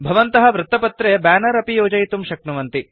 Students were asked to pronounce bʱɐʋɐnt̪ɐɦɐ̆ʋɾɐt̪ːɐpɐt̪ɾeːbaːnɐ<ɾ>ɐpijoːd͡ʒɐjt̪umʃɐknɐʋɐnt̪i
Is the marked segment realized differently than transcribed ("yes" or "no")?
no